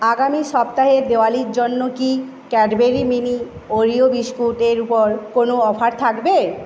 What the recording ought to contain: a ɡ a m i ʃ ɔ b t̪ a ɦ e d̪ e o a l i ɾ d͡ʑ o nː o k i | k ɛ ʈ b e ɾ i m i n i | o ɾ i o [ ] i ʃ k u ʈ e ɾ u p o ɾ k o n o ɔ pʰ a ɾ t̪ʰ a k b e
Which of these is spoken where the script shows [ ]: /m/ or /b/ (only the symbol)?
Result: b